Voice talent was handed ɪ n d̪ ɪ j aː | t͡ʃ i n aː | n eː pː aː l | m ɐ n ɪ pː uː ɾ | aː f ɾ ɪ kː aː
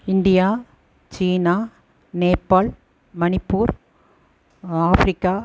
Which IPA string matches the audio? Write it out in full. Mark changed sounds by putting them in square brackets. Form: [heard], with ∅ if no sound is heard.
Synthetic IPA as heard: ɪ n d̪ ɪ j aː | t͡ʃ [iː] n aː | n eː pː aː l | m ɐ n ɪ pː uː ɾ | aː f ɾ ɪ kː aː